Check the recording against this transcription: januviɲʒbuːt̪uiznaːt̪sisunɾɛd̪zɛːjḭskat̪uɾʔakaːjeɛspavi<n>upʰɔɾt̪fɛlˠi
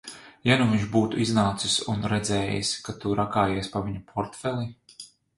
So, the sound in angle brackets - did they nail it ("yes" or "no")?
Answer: no